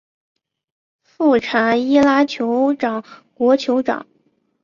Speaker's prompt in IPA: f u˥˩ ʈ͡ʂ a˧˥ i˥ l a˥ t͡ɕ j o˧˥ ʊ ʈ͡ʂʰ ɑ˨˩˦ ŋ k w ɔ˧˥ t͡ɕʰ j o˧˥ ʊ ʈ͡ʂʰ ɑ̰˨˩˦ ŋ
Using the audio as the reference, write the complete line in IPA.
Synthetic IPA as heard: f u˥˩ ʈ͡ʂʰ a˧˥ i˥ l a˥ t͡ɕʰ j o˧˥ ʊ ʈ͡ʂ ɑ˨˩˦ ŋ k w ɔ˧˥ t͡ɕʰ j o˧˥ ʊ ʈ͡ʂ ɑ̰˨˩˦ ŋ